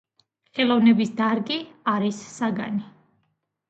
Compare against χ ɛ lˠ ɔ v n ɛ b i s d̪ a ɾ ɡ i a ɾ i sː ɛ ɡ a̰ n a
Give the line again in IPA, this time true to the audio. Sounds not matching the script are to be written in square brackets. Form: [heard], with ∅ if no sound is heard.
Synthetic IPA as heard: χ ɛ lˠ ɔ v n ɛ b i s d̪ a ɾ ɡ i a ɾ i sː [a] ɡ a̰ n [i]